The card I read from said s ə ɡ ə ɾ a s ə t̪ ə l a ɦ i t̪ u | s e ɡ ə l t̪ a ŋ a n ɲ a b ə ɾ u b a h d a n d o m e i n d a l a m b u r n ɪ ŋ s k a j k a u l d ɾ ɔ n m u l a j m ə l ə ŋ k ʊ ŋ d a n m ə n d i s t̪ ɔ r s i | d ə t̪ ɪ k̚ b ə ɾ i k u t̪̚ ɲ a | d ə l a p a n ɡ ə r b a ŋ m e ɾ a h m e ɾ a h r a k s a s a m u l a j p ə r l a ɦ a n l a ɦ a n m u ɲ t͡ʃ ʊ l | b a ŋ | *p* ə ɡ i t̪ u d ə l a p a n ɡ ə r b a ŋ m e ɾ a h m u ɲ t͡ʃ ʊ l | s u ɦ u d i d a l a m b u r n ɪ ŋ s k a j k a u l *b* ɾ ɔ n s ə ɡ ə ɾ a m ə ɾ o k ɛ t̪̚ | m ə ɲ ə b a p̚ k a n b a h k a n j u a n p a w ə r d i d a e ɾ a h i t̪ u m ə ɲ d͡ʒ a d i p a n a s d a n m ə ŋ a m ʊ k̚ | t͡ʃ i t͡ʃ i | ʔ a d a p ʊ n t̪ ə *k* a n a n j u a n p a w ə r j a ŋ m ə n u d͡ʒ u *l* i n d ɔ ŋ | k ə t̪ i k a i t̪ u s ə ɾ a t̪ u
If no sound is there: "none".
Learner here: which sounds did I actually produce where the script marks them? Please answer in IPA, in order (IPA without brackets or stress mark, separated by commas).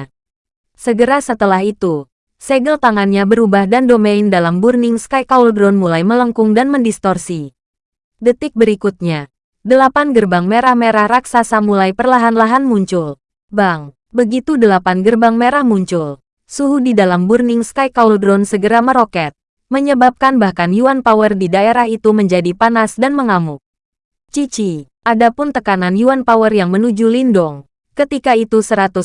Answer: b, d, k, l